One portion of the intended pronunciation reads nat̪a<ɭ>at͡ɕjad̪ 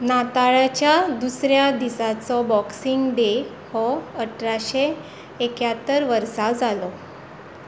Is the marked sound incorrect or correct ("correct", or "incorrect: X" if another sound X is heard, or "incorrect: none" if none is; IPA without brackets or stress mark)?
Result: correct